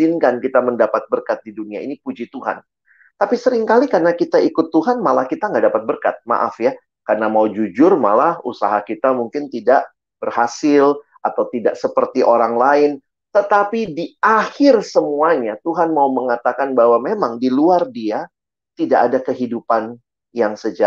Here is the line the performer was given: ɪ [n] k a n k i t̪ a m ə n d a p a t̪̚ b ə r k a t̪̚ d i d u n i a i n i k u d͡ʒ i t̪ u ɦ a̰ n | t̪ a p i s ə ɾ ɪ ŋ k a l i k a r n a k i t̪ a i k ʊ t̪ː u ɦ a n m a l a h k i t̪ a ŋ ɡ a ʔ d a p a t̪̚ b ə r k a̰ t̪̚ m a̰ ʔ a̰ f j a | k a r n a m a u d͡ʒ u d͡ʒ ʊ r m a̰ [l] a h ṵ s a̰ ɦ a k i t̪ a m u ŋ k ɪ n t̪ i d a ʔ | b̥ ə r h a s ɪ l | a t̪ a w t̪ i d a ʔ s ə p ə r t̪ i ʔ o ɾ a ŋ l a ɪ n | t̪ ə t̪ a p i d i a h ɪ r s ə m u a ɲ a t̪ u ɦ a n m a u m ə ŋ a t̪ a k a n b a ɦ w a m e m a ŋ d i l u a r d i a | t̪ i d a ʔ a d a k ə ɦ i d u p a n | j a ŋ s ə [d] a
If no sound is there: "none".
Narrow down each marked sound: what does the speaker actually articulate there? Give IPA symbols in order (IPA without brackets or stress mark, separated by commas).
n, l, d͡ʒ